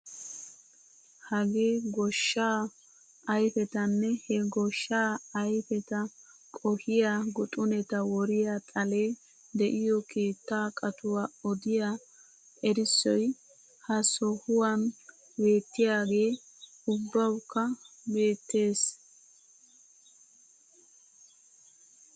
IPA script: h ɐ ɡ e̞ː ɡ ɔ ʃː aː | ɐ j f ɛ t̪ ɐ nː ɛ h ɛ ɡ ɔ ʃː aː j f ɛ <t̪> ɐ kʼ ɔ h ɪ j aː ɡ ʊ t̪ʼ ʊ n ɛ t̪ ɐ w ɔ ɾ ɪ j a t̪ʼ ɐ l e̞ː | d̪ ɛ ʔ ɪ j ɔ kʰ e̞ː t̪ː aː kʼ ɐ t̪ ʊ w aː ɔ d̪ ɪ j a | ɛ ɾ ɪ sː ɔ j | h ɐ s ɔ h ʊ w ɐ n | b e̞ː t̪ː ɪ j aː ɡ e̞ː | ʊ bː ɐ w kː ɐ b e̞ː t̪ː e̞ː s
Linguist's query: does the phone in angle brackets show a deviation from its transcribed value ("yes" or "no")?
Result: no